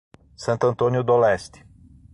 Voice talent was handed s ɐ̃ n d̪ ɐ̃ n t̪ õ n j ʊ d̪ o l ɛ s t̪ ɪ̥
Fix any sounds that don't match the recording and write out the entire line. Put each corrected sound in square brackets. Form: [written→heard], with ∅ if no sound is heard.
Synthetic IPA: s ɐ̃ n [d̪→t̪] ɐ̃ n t̪ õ n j ʊ d̪ o l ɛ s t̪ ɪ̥

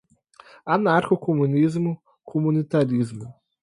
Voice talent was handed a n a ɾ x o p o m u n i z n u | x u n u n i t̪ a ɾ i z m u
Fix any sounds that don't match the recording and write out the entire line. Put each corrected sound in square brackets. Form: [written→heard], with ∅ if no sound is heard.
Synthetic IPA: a n a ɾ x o [p→k] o m u n i z [n→m] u | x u [n→m] u n i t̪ a ɾ i z m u

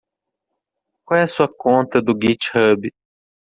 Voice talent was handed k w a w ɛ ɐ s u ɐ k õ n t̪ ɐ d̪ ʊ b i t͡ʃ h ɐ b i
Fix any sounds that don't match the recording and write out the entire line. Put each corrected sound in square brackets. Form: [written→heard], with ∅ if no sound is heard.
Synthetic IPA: k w a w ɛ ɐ s u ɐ k õ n t̪ ɐ d̪ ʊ [b→ɡ] i t͡ʃ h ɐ b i

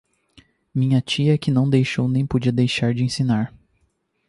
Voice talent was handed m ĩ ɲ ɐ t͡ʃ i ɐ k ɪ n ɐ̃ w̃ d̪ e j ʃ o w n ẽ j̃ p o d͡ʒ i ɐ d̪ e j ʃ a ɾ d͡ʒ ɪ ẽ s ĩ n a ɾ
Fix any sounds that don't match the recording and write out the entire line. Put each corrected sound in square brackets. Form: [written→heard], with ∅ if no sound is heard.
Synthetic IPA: m ĩ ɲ ɐ t͡ʃ i ɐ k ɪ n ɐ̃ w̃ d̪ e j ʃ o w n ẽ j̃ p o d͡ʒ i ɐ d̪ e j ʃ a ɾ d͡ʒ ɪ ẽ s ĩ n a ɾ

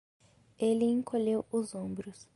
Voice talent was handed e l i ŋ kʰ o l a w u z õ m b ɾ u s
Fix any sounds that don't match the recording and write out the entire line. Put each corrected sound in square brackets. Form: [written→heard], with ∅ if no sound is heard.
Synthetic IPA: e l i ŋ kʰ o l [a→e] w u z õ m b ɾ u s

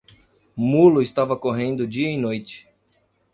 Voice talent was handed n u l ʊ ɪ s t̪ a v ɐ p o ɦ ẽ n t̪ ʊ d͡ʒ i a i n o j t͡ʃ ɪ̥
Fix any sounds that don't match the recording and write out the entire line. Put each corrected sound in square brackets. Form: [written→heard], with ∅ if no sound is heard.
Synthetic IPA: [n→m] u l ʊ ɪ s t̪ a v ɐ [p→k] o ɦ ẽ n [t̪→d̪] ʊ d͡ʒ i [a→ɐ] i n o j t͡ʃ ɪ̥

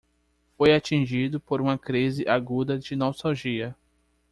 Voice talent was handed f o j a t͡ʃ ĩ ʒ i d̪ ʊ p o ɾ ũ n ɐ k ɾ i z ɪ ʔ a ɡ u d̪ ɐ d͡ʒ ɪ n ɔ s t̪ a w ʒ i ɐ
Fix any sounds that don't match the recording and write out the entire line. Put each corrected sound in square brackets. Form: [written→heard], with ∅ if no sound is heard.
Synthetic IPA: f o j a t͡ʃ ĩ ʒ i d̪ ʊ p o ɾ ũ [n→m] ɐ k ɾ i z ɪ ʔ a ɡ u d̪ ɐ d͡ʒ ɪ n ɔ s t̪ a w ʒ i ɐ

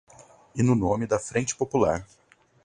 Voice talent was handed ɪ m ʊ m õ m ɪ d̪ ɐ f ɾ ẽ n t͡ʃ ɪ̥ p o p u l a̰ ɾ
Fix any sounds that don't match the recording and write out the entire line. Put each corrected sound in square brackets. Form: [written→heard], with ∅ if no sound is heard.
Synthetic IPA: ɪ [m→n] ʊ [m→n] õ m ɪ d̪ ɐ f ɾ ẽ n t͡ʃ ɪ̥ p o p u l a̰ ɾ

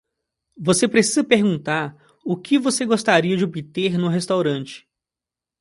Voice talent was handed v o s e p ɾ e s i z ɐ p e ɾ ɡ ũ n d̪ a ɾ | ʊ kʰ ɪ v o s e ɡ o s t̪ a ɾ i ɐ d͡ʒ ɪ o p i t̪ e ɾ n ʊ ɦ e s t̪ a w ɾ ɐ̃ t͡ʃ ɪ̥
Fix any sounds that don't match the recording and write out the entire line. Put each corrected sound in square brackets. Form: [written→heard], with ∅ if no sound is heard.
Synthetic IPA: v o s e p ɾ e s i z ɐ p e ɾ ɡ ũ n [d̪→t̪] a ɾ | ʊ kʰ ɪ v o s e ɡ o s t̪ a ɾ i ɐ d͡ʒ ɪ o [p→b] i t̪ e ɾ n ʊ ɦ e s t̪ a w ɾ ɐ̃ t͡ʃ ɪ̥

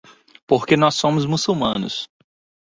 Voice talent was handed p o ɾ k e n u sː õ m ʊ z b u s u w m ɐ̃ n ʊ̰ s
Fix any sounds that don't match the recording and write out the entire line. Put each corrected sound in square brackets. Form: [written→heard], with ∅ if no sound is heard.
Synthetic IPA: p o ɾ k e n [u→ɔ] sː õ m ʊ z [b→m] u s u w m ɐ̃ n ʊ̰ s

